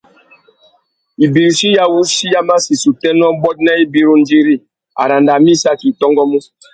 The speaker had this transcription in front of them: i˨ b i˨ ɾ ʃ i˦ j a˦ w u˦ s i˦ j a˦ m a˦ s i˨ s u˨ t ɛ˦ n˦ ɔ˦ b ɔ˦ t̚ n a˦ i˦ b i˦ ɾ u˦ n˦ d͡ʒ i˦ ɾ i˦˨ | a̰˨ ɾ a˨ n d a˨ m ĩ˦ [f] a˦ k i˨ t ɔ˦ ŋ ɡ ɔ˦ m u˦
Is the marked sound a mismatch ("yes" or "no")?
yes